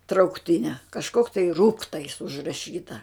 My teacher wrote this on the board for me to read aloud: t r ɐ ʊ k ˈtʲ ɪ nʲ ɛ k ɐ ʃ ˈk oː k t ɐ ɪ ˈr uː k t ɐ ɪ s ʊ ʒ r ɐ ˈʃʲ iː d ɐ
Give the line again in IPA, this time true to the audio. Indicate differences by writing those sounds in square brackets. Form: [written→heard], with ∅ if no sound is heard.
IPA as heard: t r ɐ ʊ k ˈtʲ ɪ nʲ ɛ k ɐ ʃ ˈk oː k t ɐ ɪ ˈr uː k t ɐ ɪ s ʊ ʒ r ɐ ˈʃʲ iː [d→t] ɐ